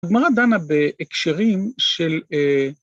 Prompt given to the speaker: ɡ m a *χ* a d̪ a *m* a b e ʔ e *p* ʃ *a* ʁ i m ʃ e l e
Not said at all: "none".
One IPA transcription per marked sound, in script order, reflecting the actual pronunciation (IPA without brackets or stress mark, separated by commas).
ʁ, n, k, e